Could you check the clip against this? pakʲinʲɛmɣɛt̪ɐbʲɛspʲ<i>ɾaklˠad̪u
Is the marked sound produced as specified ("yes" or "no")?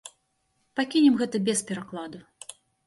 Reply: no